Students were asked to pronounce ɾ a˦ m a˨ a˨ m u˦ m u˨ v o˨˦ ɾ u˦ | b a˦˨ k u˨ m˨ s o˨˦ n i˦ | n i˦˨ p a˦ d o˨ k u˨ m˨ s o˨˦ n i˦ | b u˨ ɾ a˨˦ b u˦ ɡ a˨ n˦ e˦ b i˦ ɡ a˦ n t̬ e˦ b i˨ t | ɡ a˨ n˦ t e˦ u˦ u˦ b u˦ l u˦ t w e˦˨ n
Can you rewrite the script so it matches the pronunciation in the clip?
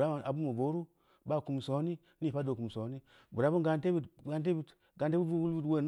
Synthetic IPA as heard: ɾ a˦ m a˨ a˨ b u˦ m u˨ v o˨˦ ɾ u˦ | b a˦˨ k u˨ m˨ s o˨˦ n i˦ | n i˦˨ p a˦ d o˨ k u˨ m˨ s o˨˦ n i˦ | b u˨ ɾ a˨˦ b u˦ ɡ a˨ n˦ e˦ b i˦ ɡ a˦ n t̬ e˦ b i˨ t | ɡ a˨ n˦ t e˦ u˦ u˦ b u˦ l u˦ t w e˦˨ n